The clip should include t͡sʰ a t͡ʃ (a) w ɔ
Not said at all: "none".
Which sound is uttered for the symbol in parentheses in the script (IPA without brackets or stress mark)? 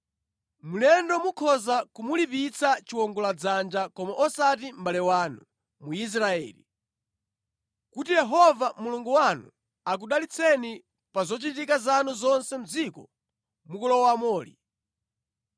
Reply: i